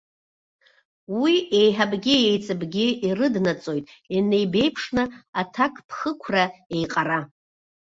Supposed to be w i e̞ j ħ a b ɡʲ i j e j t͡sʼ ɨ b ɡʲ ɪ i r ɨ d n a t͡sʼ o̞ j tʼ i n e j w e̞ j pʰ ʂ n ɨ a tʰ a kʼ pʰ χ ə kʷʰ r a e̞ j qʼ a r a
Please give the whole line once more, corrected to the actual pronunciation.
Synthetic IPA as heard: w i e̞ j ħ a b ɡʲ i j e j t͡sʼ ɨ b ɡʲ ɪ i r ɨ d n a t͡sʼ o̞ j tʼ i n e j b e̞ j pʰ ʂ n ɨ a tʰ a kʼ pʰ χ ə kʷʰ r a e̞ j qʼ a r a